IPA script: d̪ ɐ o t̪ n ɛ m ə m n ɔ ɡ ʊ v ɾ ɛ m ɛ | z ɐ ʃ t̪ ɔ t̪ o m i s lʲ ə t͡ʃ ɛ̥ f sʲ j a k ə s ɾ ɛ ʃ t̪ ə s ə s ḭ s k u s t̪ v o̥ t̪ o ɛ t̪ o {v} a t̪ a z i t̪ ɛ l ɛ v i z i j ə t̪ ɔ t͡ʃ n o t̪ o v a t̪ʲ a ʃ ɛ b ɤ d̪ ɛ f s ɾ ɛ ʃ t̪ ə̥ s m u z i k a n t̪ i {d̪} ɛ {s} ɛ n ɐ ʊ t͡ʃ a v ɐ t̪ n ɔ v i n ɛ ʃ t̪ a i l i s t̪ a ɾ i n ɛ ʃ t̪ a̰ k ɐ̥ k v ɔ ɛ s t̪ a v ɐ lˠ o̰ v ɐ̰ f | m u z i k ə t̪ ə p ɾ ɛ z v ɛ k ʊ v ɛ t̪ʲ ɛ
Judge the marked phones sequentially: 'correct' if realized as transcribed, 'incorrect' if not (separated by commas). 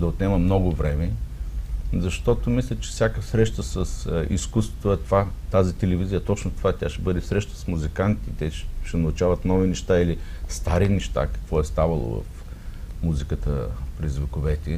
correct, incorrect, incorrect